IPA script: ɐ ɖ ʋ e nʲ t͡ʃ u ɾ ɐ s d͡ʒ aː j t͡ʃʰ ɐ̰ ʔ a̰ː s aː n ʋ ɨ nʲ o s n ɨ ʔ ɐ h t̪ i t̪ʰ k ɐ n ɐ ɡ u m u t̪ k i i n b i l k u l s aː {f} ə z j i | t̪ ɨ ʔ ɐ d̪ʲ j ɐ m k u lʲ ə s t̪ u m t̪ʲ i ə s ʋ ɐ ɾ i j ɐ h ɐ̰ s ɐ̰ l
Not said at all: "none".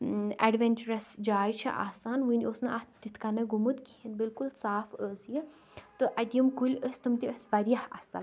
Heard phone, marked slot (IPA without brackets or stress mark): f